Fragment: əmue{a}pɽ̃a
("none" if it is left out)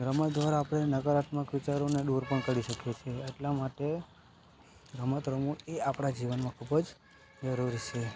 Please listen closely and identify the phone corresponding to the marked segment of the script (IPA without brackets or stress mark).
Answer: a